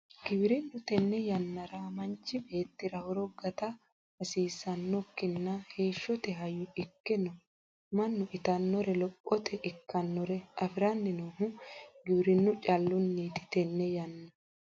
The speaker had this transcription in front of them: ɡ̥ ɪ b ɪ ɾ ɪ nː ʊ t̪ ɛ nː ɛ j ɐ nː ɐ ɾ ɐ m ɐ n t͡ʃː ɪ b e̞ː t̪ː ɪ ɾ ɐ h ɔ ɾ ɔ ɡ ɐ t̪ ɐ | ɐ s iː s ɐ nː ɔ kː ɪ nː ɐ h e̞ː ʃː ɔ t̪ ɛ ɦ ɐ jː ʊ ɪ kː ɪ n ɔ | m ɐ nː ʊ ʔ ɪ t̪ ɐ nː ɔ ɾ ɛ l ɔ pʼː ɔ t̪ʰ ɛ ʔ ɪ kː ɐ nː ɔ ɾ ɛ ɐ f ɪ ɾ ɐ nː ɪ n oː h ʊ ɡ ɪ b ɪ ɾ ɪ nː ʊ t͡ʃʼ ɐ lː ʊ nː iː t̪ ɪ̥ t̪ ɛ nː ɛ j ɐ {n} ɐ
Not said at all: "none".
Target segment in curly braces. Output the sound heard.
nː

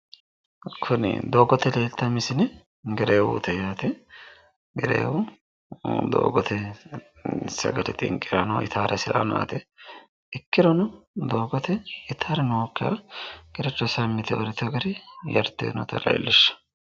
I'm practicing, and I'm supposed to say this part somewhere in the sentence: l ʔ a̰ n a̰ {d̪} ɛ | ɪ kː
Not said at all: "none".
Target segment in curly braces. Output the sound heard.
t̪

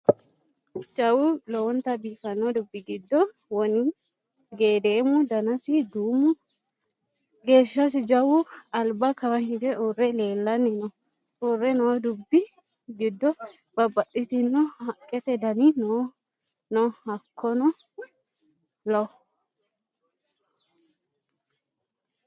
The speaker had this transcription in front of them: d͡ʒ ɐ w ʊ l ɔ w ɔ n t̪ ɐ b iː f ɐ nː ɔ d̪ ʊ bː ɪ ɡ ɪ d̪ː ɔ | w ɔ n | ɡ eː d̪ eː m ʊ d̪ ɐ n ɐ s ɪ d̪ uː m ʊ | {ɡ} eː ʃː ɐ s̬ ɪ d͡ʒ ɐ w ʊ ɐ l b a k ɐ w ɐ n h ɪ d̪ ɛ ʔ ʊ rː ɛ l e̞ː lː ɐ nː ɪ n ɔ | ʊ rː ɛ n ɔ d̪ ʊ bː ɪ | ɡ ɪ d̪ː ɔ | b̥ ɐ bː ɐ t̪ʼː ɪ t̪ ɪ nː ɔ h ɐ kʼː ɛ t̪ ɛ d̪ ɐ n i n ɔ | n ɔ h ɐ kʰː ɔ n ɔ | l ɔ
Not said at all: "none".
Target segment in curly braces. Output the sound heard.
ɡ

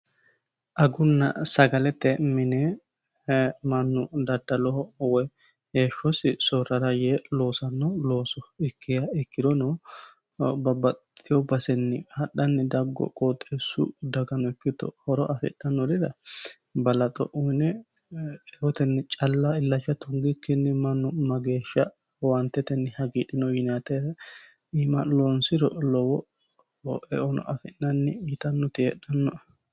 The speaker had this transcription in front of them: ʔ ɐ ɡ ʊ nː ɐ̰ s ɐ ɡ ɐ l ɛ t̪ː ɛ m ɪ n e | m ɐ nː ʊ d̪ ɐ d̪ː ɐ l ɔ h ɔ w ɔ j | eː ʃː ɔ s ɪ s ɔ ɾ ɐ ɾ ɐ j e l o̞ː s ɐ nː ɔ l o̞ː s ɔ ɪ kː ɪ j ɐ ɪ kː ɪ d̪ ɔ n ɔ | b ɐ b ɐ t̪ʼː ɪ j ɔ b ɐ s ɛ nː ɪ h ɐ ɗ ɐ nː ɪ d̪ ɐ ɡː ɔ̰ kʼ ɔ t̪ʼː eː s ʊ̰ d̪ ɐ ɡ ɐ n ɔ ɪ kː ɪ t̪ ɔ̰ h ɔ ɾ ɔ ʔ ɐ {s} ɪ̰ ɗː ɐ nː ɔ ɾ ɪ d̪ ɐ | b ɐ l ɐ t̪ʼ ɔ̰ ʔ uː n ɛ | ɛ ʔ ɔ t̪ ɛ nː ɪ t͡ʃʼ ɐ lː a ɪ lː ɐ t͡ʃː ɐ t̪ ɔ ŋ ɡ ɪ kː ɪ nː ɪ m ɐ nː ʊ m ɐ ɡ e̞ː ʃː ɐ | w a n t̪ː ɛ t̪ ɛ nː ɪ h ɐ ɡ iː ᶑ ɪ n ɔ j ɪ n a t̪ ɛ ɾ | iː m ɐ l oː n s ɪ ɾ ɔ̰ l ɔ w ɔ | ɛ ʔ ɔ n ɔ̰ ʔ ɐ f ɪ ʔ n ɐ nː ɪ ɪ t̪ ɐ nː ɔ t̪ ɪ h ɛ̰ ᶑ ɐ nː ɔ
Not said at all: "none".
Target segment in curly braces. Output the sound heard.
f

